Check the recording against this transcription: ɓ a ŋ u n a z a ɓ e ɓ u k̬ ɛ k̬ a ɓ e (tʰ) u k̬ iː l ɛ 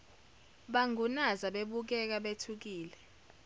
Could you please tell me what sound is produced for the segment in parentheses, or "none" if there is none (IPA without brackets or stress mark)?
tʰ